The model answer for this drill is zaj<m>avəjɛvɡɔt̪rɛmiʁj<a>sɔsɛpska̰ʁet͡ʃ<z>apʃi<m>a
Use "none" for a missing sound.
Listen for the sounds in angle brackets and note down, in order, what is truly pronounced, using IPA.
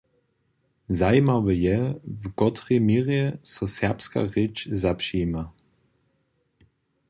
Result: m, ɛ, z, m

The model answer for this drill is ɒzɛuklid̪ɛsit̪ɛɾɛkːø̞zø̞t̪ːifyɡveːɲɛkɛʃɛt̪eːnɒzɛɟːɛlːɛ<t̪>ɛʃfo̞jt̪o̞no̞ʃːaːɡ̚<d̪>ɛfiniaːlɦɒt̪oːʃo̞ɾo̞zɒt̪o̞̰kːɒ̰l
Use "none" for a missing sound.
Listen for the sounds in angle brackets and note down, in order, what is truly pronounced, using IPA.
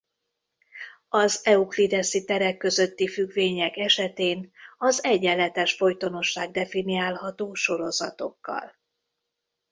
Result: t̪, d̪

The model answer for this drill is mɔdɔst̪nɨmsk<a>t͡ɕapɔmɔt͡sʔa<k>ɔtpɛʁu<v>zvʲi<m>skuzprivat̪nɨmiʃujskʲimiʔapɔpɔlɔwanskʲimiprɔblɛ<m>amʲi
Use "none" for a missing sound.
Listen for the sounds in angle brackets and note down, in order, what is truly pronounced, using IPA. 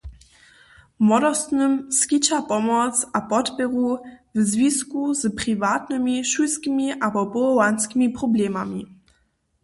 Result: i, p, v, none, m

